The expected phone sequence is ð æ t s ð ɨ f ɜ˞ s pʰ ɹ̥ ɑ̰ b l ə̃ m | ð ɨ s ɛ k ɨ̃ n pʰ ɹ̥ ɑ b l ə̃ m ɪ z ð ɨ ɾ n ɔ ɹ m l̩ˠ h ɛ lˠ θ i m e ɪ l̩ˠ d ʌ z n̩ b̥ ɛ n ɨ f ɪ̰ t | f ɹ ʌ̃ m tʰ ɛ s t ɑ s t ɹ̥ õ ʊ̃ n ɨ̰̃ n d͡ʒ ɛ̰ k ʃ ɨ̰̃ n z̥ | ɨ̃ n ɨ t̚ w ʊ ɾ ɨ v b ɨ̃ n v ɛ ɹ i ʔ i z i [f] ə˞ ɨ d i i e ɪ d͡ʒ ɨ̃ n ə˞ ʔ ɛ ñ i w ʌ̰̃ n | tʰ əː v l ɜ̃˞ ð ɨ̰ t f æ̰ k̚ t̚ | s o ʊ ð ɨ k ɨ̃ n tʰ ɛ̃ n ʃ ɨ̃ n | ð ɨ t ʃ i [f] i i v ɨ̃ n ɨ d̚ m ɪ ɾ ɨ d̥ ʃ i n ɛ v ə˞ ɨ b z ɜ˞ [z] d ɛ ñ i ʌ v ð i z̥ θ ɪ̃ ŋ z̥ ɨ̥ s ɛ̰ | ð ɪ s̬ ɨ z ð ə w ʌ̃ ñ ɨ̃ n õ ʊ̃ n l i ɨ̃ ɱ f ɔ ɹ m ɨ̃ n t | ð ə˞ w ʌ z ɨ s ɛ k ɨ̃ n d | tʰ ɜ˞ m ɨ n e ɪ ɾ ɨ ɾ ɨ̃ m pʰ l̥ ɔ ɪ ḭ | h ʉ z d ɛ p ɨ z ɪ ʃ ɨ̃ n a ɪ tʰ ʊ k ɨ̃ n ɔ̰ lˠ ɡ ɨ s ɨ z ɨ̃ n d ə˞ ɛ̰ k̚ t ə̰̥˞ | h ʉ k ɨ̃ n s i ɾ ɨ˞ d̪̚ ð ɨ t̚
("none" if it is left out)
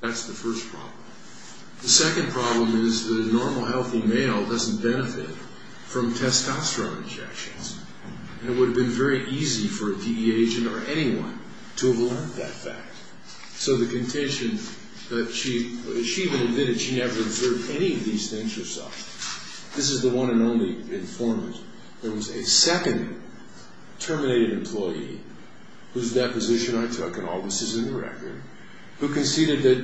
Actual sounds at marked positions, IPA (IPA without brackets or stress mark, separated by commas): f, ʃ, v